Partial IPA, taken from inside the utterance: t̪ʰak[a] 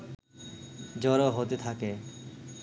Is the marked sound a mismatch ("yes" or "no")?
yes